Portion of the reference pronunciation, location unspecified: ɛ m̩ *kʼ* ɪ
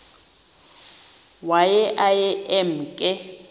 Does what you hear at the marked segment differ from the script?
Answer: no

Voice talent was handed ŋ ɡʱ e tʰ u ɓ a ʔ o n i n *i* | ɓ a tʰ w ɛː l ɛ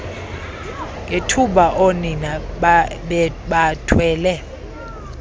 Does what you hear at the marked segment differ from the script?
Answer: yes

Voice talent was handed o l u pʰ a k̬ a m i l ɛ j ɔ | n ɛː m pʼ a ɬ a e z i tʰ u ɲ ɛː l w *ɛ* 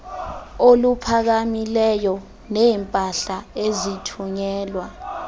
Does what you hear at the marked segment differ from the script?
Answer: yes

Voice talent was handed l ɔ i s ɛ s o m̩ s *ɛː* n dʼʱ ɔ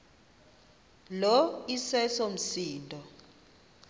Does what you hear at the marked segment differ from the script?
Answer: yes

